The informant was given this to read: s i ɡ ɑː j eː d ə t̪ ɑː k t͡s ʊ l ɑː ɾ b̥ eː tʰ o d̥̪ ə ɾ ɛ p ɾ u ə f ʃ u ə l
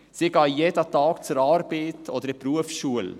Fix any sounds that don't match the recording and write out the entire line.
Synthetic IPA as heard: s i ɡ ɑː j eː d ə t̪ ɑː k t͡s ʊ ɾ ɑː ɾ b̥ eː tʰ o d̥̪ ə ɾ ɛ p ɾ u ə f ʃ u ə l